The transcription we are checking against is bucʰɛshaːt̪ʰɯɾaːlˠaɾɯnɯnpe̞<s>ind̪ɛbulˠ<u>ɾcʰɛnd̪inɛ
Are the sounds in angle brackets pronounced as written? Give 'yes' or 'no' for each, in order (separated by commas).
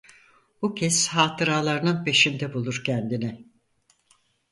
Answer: no, yes